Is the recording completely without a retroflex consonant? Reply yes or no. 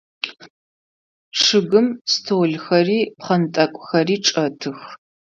no